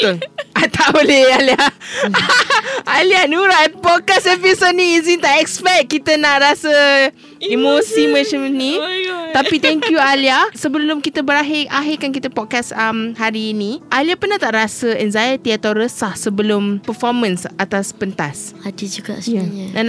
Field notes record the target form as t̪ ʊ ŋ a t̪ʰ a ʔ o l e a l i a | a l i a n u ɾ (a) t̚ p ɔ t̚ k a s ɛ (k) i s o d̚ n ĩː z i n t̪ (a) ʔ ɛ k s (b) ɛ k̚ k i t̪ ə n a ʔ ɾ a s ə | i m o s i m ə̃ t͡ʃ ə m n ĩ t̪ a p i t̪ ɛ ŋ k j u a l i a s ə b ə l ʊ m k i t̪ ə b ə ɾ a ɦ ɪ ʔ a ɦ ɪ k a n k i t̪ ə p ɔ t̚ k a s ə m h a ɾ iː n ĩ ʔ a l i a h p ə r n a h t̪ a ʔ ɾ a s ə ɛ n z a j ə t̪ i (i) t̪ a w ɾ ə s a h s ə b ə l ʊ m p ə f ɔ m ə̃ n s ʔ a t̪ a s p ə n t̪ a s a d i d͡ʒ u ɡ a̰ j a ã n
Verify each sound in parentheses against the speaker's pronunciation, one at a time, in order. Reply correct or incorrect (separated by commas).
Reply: correct, incorrect, correct, incorrect, incorrect